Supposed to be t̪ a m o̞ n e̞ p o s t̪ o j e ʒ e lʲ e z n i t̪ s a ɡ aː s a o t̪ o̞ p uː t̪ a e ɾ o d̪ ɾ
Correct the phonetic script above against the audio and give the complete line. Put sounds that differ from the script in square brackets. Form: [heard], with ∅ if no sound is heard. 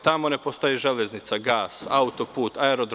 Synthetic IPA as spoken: t̪ a m o̞ n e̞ p o s t̪ o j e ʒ e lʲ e z n i t̪ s a ɡ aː s a [u] t̪ o̞ p uː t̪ a e ɾ o d̪ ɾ